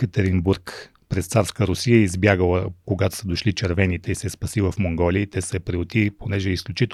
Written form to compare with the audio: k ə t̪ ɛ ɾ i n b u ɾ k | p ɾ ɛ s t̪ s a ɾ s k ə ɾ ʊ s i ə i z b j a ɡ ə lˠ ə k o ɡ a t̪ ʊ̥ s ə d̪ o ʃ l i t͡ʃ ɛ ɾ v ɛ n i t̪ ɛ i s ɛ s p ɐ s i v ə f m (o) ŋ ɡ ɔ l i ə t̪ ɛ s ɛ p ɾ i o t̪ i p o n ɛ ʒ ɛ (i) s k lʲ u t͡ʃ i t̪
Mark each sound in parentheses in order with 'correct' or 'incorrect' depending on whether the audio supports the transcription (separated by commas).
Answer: correct, correct